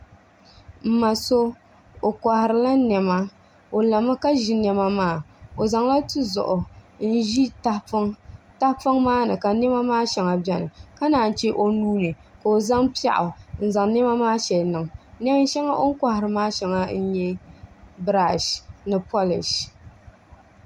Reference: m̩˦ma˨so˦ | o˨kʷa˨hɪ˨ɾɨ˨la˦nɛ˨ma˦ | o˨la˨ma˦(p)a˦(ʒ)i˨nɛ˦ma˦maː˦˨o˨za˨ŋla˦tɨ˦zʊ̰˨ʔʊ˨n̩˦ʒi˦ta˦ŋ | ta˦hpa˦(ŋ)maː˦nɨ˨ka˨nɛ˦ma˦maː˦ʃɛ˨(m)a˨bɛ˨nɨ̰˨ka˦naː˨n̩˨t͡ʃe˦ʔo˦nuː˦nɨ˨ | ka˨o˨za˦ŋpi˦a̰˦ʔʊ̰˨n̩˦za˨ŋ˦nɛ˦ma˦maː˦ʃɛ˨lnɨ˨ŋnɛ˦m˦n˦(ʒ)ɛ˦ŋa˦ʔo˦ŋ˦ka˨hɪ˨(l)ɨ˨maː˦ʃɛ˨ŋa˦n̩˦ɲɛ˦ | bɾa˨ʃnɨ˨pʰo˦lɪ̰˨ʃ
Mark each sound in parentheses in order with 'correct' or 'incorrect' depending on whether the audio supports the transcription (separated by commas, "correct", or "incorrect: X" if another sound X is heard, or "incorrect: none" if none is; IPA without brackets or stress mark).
incorrect: k, correct, correct, incorrect: ŋ, incorrect: ʃ, incorrect: ɾ